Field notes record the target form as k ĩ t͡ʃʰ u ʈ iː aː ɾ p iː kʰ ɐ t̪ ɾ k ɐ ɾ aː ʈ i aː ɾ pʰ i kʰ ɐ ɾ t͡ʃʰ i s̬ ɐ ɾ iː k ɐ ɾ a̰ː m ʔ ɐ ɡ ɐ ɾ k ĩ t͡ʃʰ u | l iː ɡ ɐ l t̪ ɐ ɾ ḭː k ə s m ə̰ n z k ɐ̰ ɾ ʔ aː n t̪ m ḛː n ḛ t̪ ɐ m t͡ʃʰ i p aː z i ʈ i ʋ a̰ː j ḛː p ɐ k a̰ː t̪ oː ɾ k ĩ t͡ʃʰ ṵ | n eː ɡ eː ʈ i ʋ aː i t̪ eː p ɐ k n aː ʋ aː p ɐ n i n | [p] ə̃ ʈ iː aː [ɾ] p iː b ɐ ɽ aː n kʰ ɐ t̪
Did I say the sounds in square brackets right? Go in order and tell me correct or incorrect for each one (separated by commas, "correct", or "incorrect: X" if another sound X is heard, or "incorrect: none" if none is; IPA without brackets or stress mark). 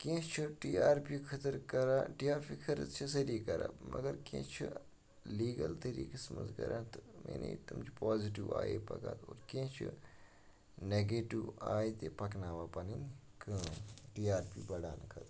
incorrect: k, correct